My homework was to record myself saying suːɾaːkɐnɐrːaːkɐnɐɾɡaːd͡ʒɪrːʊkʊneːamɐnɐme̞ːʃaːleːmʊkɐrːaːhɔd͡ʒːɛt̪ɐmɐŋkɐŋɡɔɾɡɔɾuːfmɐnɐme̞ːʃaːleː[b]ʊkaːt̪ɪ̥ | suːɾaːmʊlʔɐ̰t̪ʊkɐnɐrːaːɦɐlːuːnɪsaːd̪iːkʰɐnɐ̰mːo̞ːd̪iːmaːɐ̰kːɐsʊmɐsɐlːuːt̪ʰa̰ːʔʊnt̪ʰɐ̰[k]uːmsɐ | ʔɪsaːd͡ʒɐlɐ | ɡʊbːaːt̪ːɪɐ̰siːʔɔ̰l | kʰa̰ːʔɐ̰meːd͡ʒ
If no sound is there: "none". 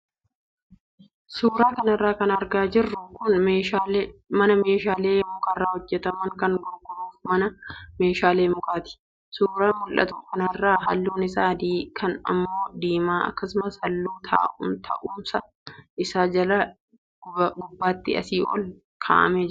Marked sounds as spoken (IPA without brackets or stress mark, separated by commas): m, ʔ